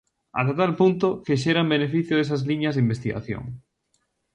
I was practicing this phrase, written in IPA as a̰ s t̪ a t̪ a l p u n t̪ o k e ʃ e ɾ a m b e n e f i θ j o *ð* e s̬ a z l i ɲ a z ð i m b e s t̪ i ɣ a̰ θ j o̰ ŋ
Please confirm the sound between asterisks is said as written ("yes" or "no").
yes